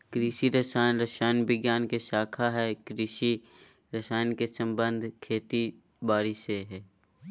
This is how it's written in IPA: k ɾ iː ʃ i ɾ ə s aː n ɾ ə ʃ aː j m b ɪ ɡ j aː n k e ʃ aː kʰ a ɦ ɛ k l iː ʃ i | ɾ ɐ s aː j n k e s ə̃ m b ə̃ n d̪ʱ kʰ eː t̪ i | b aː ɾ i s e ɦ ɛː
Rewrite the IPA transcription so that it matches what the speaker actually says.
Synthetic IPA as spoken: k ɾ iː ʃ i ɾ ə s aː n ɾ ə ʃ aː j n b ɪ ɡ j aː n k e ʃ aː kʰ a ɦ ɛ k ɾ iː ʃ i | ɾ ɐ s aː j n k e s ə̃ m b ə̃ n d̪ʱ kʰ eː t̪ i | b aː ɾ i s e ɦ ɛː